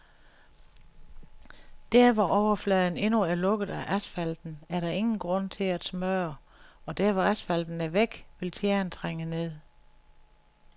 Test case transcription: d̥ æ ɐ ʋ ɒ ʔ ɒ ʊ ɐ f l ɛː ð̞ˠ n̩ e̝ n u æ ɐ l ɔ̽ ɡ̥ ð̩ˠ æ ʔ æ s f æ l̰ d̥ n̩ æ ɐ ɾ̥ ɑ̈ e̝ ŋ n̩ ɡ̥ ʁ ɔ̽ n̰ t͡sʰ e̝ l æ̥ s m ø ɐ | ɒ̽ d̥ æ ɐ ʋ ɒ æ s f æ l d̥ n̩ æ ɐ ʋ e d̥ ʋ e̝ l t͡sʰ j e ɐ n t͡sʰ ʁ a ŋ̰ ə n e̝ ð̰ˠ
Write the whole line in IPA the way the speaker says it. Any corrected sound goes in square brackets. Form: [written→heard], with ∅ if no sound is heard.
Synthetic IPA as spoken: d̥ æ ɐ ʋ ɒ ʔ ɒ ʊ ɐ f l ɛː ð̞ˠ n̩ e̝ n u æ ɐ l ɔ̽ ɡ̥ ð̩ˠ æ ʔ æ s f æ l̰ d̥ n̩ æ ɐ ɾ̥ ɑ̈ e̝ ŋ n̩ ɡ̥ ʁ ɔ̽ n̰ t͡sʰ e̝ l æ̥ s m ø ɐ | ɒ̽ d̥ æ ɐ ʋ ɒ æ s f æ l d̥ n̩ æ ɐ ʋ e [d̥→ɡ̥] ʋ e̝ l t͡sʰ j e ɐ n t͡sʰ ʁ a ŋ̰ ə n e̝ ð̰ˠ